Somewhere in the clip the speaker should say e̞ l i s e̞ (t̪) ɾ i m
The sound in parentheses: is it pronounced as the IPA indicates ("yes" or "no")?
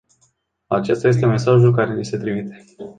yes